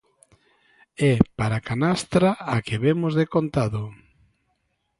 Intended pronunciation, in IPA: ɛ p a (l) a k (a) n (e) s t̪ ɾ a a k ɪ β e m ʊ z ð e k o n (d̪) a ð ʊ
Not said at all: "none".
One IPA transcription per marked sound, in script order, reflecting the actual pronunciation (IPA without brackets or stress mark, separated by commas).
ɾ, a, a, t̪